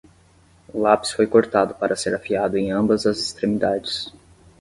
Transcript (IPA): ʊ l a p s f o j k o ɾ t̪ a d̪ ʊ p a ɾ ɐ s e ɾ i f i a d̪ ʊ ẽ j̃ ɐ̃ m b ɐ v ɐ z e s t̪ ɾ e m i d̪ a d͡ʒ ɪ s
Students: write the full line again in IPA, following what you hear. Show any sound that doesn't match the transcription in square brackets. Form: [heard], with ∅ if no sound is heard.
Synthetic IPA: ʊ l a p s f o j k o ɾ t̪ a d̪ ʊ p a ɾ ɐ s e ɾ [a] f i a d̪ ʊ ẽ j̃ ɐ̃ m b ɐ [z] ɐ z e s t̪ ɾ e m i d̪ a d͡ʒ ɪ s